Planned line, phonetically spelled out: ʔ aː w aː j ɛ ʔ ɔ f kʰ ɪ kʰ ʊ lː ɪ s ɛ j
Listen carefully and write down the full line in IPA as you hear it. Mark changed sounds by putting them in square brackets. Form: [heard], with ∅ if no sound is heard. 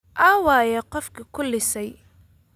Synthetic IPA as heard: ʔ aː w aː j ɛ [q] ɔ f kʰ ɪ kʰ ʊ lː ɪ s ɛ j